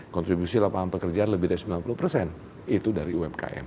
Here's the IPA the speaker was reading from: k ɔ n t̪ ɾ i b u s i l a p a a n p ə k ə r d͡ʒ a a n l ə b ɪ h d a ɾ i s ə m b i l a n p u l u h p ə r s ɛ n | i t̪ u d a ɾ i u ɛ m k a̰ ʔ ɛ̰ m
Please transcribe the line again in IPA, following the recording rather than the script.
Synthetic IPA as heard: k ɔ n t̪ ɾ i b u s i l a p a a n p ə k ə r d͡ʒ a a n l ə b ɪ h d a ɾ i s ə m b i l a n p u l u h p ə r s ɛ n | i t̪ u d a ɾ i u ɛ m k a̰ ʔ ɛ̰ m